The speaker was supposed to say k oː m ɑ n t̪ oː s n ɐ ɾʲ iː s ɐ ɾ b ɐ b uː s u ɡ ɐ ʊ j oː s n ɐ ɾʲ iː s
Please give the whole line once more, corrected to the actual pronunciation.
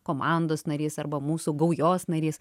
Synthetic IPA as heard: k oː m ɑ n d̪ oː s n ɐ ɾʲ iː s ɐ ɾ b ɐ m uː s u ɡ ɐ ʊ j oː s n ɐ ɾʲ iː s

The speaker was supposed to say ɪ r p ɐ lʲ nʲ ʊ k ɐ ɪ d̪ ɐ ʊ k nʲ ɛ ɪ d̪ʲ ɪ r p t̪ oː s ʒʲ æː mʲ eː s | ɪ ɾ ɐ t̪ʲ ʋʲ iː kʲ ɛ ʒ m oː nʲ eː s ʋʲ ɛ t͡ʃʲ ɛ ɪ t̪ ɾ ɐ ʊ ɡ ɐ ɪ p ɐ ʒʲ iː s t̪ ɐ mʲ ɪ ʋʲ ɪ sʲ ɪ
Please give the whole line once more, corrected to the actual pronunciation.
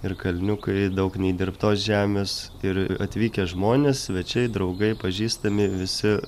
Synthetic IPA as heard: ɪ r k ɐ lʲ nʲ ʊ k ɐ ɪ d̪ ɐ ʊ k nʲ ɛ ɪ d̪ʲ ɪ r p t̪ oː s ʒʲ æː mʲ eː s | ɪ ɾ ɐ t̪ʲ ʋʲ iː kʲ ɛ ʒ m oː nʲ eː s ʋʲ ɛ t͡ʃʲ ɛ ɪ d̪ ɾ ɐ ʊ ɡ ɐ ɪ p ɐ ʒʲ iː s t̪ ɐ mʲ ɪ ʋʲ ɪ sʲ ɪ

